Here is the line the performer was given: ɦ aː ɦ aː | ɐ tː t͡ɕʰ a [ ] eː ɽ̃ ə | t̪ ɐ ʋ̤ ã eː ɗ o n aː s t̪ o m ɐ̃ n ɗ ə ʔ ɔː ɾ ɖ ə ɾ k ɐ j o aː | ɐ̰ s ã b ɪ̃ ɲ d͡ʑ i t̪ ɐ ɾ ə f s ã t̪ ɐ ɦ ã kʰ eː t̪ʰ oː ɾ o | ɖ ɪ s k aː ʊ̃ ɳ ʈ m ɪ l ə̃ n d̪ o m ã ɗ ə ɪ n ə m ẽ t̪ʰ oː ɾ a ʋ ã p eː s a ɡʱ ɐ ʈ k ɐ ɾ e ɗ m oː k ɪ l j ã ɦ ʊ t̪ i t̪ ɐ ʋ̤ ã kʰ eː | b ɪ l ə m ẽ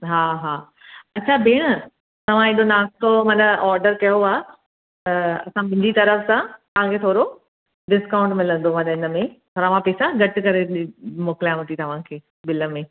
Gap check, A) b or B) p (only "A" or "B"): A